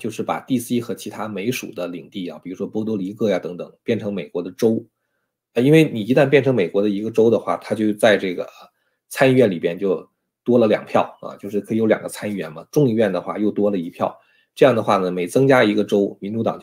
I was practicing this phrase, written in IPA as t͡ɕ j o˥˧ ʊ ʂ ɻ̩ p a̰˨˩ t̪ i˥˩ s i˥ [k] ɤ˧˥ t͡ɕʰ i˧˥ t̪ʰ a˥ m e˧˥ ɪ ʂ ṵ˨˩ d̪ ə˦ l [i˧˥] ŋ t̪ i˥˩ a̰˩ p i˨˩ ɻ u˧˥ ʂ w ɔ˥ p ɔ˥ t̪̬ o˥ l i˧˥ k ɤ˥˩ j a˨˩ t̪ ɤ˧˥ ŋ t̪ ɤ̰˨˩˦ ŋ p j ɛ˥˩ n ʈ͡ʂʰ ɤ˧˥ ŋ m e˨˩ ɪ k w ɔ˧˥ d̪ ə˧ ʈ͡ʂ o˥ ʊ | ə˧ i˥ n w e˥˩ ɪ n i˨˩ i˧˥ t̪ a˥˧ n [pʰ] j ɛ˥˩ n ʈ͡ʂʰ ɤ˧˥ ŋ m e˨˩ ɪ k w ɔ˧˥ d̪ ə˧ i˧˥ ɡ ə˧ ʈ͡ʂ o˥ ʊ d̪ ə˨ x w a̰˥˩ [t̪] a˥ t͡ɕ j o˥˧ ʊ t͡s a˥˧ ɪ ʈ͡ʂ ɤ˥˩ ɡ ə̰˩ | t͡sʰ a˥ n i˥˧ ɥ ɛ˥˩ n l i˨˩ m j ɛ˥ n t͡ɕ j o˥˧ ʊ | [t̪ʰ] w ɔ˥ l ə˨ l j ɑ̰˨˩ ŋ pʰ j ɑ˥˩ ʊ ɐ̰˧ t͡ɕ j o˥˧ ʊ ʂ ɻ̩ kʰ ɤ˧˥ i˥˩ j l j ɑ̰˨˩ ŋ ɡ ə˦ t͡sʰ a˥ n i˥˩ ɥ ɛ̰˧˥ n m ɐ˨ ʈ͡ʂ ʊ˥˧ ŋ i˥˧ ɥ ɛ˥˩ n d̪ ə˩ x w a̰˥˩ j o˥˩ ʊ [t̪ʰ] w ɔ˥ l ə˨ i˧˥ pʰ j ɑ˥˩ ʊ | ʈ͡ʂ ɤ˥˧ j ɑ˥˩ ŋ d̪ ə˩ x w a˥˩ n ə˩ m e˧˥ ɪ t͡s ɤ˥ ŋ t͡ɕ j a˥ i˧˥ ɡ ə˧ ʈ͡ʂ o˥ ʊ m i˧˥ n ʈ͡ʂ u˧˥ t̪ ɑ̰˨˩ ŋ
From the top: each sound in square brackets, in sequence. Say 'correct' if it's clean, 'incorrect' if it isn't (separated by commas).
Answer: incorrect, incorrect, incorrect, incorrect, incorrect, incorrect